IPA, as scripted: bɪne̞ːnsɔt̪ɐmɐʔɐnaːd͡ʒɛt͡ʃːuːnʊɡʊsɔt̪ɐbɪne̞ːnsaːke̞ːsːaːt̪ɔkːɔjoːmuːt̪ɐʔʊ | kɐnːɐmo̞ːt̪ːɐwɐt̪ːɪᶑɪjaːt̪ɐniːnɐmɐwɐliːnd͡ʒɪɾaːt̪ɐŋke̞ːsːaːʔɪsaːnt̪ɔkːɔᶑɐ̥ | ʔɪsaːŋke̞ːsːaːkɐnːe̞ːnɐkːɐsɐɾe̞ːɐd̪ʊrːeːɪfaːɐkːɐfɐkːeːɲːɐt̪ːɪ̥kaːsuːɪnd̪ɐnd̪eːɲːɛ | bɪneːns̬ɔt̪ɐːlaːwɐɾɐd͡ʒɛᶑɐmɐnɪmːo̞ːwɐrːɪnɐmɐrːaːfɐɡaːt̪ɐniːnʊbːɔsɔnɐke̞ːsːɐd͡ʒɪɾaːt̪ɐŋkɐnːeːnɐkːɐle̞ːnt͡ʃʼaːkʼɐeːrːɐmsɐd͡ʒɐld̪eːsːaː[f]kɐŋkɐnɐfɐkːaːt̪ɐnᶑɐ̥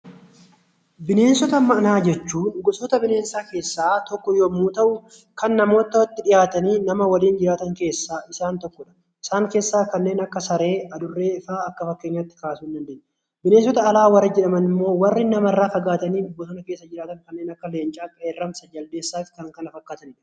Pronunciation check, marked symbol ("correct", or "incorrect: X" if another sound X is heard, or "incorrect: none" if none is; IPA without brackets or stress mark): correct